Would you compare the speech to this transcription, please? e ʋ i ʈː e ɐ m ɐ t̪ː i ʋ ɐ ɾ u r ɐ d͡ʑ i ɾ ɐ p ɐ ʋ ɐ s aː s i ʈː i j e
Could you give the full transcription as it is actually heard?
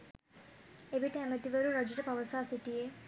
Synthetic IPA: e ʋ i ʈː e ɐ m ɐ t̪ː i ʋ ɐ ɾ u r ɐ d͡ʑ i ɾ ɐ p ɐ ʋ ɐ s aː s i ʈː i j e